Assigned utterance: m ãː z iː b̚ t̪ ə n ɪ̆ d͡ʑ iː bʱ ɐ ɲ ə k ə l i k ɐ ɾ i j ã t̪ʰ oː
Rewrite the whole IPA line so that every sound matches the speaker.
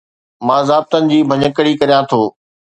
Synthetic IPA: m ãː z aː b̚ t̪ ə n ɪ̆ d͡ʑ iː bʱ ɐ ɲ ə k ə ɽ i k ɐ ɾ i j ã t̪ʰ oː